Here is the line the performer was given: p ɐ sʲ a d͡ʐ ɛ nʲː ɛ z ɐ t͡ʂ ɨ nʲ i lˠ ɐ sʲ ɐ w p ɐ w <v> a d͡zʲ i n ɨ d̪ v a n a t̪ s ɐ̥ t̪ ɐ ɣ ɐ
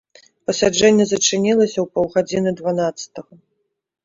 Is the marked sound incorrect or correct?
incorrect